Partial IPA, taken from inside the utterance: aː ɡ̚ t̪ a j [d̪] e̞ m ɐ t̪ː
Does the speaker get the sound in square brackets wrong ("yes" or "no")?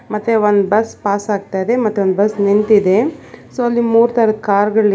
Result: no